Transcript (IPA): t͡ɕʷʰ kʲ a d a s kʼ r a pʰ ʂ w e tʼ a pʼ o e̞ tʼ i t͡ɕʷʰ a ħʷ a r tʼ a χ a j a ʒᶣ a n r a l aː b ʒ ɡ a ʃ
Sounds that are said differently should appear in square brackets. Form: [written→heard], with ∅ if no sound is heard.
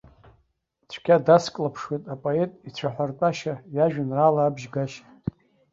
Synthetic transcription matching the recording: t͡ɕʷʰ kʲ a d a s kʼ [r→l] a pʰ ʂ w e tʼ a pʼ o e̞ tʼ i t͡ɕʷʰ a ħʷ a r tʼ a [χ→ʃ] a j a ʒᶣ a n r a l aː b ʒ ɡ a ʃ